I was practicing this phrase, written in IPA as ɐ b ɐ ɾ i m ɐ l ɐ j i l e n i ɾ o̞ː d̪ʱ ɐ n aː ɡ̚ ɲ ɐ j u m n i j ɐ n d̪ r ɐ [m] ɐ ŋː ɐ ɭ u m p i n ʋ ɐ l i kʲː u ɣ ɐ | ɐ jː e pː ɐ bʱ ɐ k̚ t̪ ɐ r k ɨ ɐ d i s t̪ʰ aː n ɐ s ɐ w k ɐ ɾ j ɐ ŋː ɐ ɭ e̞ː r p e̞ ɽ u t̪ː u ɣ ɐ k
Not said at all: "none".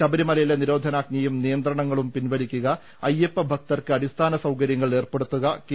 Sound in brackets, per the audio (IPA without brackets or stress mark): ɳ